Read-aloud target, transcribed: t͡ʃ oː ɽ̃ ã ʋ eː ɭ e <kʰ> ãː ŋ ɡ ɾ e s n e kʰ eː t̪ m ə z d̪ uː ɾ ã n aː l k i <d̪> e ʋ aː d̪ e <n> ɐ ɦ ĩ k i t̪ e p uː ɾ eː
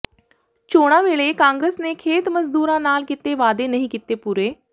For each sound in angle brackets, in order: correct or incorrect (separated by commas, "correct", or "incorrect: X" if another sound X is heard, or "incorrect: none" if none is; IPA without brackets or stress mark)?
incorrect: k, incorrect: t̪, correct